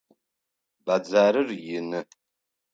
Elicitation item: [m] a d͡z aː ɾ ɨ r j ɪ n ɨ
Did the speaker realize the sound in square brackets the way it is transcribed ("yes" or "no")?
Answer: no